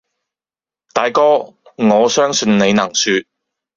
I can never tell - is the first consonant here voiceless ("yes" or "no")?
yes